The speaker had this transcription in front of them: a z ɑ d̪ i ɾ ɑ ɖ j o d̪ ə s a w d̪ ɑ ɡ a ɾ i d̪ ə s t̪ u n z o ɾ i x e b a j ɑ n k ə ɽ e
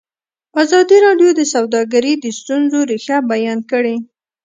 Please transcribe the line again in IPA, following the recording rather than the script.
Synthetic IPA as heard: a z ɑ d̪ i ɾ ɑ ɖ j o d̪ ə s a w d̪ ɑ ɡ a ɾ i d̪ ə s t̪ u n z o ɾ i x a b a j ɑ n k ə ɽ e